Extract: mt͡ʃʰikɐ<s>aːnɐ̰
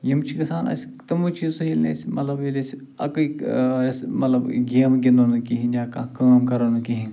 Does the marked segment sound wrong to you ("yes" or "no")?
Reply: no